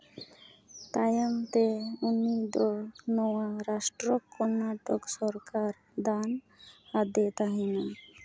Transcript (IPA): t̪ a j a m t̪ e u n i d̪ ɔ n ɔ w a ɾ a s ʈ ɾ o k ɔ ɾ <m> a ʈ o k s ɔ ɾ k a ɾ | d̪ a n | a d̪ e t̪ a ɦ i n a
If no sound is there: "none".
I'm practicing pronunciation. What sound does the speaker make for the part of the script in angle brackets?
n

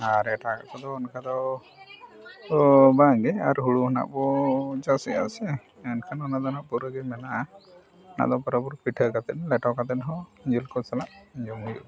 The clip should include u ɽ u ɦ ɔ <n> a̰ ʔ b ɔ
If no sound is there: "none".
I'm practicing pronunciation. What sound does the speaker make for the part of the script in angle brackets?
n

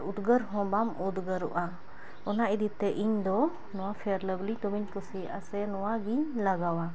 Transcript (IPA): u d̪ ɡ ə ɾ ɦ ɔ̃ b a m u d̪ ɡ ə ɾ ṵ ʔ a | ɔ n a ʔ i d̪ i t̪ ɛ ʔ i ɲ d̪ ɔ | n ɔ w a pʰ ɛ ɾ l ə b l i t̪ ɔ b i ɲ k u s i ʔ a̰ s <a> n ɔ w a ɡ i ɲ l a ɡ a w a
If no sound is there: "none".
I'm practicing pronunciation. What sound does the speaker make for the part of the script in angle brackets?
ɛ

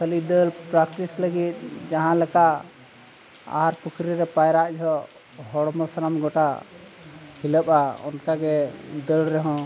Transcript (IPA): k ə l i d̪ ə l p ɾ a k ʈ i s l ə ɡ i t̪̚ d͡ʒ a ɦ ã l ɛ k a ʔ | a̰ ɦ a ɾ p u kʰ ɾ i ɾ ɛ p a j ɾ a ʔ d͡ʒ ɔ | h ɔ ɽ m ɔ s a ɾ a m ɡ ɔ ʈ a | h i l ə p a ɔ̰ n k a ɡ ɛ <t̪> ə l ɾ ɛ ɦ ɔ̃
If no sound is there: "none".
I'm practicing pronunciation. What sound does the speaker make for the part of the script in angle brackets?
d̪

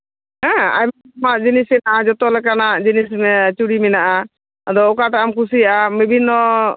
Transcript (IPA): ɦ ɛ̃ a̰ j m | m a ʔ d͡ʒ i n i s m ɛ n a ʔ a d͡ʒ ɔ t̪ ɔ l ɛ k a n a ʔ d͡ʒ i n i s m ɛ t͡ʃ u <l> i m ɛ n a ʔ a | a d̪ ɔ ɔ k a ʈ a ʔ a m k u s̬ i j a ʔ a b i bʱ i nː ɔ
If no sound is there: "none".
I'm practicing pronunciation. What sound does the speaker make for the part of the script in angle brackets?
ɽ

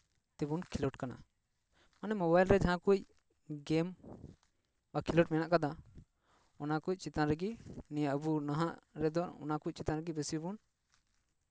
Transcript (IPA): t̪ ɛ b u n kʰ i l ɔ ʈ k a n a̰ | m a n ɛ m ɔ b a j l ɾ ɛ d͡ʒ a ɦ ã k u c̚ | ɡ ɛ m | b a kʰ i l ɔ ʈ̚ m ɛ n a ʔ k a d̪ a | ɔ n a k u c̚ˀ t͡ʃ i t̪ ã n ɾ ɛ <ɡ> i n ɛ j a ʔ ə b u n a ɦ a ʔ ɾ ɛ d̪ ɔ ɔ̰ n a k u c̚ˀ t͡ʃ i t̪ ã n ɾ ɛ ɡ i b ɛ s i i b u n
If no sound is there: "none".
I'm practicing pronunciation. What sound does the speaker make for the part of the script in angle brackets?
ɡ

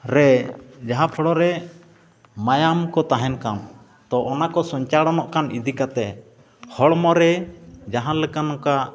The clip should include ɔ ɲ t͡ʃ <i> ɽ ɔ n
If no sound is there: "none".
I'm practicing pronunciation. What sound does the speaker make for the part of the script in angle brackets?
a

